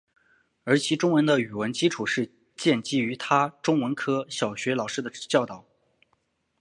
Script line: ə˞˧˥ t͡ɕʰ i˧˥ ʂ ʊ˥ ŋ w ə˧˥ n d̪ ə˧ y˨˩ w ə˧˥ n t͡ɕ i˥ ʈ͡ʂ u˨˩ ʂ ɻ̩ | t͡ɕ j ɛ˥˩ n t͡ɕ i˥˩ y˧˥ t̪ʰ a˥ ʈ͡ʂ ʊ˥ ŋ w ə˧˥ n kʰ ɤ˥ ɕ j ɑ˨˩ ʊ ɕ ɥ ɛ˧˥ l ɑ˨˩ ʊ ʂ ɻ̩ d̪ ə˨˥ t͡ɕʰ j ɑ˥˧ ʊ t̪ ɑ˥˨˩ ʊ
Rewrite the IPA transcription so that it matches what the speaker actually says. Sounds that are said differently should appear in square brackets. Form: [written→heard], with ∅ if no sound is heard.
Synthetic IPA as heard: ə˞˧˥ t͡ɕʰ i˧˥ [ʂ→ʈ͡ʂ] ʊ˥ ŋ w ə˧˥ n d̪ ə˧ y˨˩ w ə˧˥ n t͡ɕ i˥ [ʈ͡ʂ→ʈ͡ʂʰ] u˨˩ ʂ ɻ̩ | t͡ɕ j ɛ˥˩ n t͡ɕ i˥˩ y˧˥ t̪ʰ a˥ ʈ͡ʂ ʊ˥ ŋ w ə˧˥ n kʰ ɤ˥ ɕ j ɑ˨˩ ʊ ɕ ɥ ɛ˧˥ l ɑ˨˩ ʊ ʂ ɻ̩ d̪ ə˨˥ [t͡ɕʰ→t͡ɕ] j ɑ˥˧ ʊ t̪ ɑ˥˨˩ ʊ